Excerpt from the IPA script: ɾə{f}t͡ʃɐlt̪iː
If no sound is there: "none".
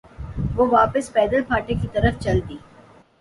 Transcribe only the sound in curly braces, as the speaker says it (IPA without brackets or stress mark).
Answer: f